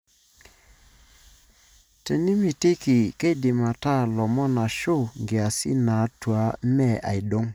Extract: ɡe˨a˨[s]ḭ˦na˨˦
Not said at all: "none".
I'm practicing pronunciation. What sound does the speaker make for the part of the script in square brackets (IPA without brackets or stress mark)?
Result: s